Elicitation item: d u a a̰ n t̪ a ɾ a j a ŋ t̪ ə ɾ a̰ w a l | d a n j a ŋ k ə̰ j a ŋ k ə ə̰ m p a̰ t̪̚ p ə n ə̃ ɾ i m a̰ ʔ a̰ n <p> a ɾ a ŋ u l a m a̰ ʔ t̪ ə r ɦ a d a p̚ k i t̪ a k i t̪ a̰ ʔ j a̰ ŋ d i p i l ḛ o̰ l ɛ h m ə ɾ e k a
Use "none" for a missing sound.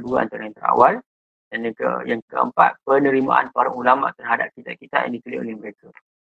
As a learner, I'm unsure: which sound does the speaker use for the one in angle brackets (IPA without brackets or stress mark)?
p